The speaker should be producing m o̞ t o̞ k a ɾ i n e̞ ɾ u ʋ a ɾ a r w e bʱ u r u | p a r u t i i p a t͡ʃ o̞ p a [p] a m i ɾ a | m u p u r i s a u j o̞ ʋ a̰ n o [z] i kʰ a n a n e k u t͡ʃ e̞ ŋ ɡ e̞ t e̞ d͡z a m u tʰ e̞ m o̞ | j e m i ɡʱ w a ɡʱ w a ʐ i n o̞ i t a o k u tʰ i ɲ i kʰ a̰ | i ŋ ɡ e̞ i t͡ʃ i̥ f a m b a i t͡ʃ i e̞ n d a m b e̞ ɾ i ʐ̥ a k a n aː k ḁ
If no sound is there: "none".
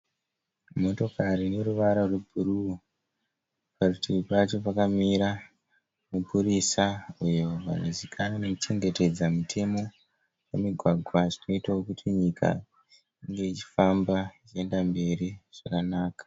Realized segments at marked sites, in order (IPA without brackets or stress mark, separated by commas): k, z